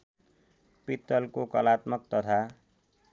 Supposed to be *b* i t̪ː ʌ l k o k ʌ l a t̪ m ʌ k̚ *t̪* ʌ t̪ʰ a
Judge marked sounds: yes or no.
no, yes

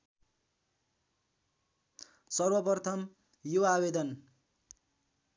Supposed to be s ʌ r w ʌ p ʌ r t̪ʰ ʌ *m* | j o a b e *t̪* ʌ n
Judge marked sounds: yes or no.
yes, no

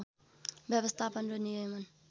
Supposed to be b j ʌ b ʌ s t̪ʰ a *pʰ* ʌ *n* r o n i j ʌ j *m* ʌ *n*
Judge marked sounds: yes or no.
no, yes, yes, yes

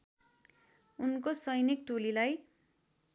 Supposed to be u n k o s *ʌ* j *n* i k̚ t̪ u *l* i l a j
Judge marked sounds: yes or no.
yes, yes, yes

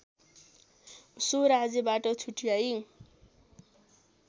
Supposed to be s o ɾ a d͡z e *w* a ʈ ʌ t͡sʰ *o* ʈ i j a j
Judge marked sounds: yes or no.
no, no

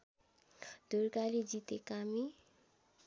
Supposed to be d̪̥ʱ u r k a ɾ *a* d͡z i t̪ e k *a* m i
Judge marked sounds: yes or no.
no, yes

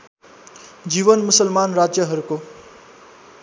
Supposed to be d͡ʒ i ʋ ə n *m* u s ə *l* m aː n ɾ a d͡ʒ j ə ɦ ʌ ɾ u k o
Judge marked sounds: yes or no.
yes, yes

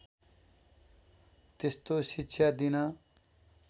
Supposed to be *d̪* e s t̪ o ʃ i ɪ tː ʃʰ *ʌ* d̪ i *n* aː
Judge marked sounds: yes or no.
no, no, yes

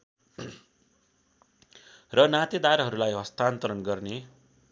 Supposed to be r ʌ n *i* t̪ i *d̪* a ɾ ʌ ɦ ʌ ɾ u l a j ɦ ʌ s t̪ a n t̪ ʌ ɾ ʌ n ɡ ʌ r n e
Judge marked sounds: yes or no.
no, yes

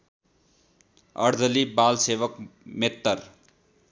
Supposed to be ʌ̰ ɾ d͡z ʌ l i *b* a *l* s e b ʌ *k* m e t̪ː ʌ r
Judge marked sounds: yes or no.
yes, yes, yes

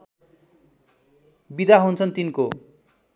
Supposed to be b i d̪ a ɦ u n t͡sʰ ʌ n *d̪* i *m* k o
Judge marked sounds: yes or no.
no, no

